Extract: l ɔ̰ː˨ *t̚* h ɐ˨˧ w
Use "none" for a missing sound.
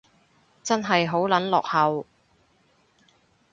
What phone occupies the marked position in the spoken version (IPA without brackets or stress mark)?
k̚